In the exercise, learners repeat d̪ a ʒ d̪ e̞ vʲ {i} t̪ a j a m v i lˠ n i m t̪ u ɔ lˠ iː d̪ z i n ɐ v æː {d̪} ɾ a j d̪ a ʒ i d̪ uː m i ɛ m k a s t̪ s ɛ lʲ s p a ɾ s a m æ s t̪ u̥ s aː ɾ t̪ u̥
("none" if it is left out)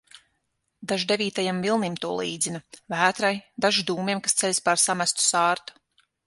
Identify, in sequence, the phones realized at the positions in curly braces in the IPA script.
iː, t̪

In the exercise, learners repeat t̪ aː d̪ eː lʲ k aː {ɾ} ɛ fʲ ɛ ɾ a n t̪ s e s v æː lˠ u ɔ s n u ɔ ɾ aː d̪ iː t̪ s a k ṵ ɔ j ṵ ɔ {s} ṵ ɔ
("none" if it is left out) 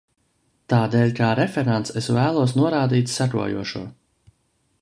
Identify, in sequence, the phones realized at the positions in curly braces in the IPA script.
ɾ, ʃ

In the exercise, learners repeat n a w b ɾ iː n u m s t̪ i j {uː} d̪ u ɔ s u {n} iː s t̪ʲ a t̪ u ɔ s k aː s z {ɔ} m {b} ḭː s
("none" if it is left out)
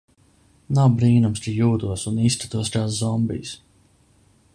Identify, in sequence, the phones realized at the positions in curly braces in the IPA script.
uː, n, ɔ, b

